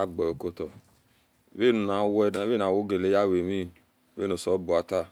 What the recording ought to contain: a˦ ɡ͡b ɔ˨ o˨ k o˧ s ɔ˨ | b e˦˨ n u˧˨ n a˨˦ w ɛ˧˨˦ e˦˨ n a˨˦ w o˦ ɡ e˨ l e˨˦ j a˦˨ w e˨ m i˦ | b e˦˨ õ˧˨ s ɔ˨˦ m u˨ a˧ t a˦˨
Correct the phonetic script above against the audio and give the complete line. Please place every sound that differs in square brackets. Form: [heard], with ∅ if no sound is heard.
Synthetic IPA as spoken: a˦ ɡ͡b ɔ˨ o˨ k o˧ [t] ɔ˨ | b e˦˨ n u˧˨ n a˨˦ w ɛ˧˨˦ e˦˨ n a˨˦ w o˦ ɡ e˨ l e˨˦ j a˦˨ w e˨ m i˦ | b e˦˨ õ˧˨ s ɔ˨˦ [b] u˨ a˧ t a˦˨